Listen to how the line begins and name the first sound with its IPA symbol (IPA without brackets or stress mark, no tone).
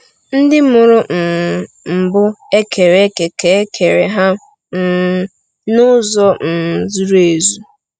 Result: n̩